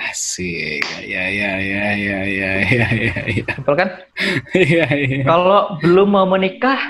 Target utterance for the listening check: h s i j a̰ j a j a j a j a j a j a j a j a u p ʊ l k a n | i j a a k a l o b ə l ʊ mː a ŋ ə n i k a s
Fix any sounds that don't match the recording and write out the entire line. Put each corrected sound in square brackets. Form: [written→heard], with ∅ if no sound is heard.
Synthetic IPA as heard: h s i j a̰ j a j a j a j a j a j a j a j a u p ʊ l k a n | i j a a k a l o b ə l ʊ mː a [ŋ→m] ə n i k a [s→h]